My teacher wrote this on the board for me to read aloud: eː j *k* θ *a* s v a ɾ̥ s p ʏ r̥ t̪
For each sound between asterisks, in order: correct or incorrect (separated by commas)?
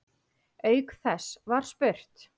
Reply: correct, incorrect